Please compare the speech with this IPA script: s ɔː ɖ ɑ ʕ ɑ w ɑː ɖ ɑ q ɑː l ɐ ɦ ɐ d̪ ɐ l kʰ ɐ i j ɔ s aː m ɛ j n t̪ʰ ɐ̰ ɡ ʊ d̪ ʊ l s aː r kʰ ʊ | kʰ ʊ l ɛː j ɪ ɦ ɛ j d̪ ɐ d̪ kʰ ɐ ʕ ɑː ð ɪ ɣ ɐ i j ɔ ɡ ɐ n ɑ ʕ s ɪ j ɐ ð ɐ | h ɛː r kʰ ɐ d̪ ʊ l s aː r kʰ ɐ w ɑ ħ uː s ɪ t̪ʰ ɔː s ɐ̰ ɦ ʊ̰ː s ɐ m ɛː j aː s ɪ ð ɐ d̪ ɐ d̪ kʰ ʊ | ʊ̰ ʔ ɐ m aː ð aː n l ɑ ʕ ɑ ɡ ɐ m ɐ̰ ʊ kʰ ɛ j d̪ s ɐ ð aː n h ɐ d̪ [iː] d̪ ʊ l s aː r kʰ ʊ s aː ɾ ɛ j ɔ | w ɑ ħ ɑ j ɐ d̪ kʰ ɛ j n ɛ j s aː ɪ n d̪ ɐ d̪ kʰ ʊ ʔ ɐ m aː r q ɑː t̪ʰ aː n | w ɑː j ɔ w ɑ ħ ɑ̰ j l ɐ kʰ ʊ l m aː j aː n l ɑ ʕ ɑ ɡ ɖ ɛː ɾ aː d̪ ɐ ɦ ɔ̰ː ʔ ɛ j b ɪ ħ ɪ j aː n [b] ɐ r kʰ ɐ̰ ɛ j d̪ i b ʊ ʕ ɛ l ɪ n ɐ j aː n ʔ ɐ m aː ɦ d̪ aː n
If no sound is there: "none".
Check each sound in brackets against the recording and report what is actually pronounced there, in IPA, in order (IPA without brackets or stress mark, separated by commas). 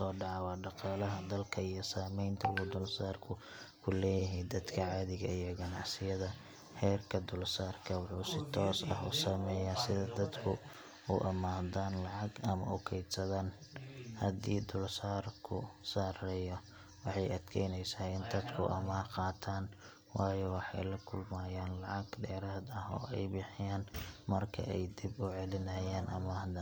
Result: iː, m